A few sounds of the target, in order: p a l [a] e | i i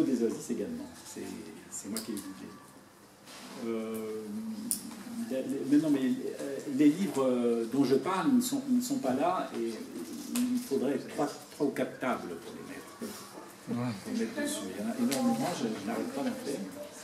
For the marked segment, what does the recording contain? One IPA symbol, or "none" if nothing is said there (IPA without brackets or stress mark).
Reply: a